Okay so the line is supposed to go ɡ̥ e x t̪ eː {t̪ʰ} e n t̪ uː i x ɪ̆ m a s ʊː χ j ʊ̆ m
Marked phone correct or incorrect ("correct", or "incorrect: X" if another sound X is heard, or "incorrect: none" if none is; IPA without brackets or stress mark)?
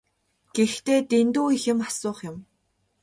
incorrect: t̪